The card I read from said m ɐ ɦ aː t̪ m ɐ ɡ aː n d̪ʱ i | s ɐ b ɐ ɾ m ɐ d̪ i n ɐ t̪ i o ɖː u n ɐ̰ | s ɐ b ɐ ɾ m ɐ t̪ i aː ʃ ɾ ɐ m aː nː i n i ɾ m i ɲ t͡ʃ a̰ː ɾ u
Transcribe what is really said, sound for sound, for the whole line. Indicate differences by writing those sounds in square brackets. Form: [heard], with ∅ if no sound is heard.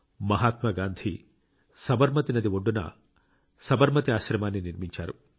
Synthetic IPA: m ɐ ɦ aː t̪ m ɐ ɡ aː n d̪ʱ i | s ɐ b ɐ ɾ m ɐ [t̪] i n ɐ [d̪] i o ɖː u n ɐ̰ | s ɐ b ɐ ɾ m ɐ t̪ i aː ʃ ɾ ɐ m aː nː i n i ɾ m i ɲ t͡ʃ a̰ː ɾ u